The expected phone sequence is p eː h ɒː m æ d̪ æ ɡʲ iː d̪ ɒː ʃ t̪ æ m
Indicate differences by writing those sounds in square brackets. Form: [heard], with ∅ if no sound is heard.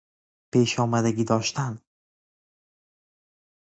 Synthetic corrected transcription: p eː [ʃ] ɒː m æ d̪ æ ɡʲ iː d̪ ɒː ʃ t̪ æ [n]